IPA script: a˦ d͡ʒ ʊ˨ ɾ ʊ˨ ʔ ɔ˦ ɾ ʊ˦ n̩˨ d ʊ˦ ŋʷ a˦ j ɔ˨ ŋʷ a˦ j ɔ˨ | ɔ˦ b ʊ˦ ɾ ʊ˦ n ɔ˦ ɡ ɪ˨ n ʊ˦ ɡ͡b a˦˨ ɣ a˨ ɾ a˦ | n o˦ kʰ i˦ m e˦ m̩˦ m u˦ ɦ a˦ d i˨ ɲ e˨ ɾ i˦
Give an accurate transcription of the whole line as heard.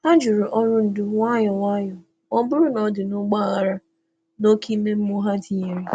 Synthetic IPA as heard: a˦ d͡ʒ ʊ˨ ɾ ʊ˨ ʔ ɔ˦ ɾ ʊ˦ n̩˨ d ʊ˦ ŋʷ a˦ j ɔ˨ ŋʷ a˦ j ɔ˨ | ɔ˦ b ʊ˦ ɾ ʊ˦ n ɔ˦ d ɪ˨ n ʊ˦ ɡ͡b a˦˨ ɣ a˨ ɾ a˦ | n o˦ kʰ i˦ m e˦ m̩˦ m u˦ ɦ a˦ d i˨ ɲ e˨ ɾ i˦